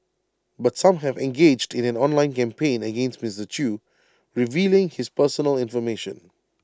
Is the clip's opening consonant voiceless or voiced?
voiced